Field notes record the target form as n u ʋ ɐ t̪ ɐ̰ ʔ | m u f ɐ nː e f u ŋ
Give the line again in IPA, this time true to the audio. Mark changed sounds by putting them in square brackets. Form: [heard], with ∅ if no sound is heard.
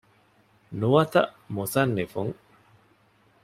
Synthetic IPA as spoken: n u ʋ ɐ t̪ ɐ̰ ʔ | m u [s] ɐ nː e f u ŋ